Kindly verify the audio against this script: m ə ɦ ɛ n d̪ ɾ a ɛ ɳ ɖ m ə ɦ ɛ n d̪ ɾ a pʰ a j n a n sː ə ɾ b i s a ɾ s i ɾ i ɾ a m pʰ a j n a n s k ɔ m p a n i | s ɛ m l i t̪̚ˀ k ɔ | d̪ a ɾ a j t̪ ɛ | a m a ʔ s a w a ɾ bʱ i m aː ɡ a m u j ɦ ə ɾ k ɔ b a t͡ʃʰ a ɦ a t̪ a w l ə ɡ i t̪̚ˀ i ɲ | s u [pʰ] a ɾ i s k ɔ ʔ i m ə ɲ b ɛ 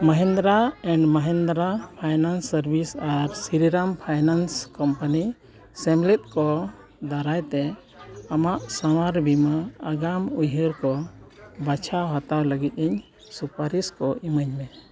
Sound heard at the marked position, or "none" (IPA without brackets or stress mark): p